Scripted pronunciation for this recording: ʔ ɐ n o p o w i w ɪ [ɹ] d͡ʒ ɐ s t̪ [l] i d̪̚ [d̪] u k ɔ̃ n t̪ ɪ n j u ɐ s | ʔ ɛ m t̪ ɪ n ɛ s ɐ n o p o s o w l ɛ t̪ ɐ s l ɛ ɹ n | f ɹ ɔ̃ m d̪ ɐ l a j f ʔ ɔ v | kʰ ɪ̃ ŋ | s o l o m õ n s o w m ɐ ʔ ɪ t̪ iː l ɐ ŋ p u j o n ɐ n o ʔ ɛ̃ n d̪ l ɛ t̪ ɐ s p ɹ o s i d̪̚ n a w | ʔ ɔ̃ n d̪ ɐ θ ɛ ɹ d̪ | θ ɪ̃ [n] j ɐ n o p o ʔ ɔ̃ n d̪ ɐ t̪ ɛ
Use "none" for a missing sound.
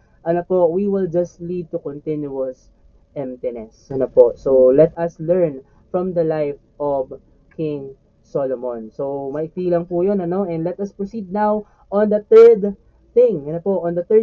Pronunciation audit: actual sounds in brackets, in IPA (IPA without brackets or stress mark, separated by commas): l, l, t̪, ŋ